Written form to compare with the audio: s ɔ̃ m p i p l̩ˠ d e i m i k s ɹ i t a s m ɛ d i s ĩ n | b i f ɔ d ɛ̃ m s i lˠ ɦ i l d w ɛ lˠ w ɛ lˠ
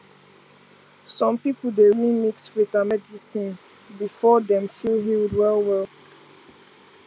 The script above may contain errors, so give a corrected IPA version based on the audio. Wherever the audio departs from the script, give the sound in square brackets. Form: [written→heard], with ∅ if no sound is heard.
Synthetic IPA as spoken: s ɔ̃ m p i p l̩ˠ d e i m i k s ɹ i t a [s→∅] m ɛ d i s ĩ n | b i f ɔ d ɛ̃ m [s→f] i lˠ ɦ i l d w ɛ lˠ w ɛ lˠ